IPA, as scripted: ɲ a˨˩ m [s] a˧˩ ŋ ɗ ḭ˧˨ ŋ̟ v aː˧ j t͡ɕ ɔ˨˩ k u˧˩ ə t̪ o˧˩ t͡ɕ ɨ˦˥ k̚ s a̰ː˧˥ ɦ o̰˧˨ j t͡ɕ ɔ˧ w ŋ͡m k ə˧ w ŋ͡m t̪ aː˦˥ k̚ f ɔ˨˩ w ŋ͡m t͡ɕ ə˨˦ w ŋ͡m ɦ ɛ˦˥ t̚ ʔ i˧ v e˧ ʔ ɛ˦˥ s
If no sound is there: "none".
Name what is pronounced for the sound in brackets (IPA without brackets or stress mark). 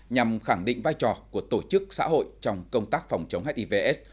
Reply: x